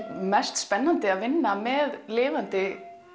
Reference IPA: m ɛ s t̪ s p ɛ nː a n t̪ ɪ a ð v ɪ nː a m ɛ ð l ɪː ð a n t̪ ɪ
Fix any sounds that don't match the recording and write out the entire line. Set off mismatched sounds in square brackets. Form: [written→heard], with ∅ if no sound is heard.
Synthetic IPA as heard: m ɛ s t̪ s p ɛ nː a n t̪ ɪ a ð v ɪ nː a m ɛ ð l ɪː [ð→v] a n t̪ ɪ